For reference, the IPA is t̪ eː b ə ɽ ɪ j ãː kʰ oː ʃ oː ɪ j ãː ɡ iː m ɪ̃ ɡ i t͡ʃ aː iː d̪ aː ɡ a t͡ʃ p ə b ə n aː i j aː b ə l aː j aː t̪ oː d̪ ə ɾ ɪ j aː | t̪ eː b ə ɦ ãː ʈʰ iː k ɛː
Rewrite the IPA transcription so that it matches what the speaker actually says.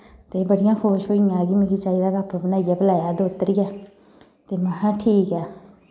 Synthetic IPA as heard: t̪ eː b ə ɽ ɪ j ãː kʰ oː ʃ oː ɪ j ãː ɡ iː m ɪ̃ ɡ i t͡ʃ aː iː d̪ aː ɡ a p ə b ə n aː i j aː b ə l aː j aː d̪ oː t̪ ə ɾ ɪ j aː | t̪ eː m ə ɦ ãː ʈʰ iː k ɛː